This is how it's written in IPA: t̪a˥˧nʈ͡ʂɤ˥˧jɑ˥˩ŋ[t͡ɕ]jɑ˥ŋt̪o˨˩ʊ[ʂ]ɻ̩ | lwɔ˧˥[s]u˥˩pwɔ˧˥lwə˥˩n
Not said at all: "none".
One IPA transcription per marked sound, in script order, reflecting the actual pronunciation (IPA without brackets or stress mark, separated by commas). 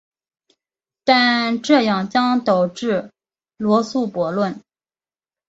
t͡ɕ, ʈ͡ʂ, s